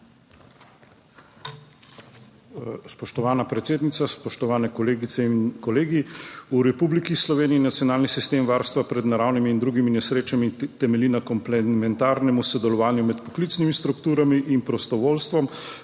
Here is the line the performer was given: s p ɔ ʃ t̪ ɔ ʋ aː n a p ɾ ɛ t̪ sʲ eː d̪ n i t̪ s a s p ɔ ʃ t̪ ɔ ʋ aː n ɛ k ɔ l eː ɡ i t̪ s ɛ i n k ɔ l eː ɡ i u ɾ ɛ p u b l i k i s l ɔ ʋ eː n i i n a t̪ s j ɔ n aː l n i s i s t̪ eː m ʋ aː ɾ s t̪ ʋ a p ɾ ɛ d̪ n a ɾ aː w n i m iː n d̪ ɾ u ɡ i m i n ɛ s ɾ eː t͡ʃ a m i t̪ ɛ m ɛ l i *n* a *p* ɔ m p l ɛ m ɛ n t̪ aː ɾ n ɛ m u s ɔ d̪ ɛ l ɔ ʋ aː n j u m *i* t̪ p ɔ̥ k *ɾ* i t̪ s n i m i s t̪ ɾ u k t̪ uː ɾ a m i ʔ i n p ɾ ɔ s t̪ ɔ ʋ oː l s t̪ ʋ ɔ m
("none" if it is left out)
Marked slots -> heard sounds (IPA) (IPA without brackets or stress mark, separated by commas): n, k, ɛ, l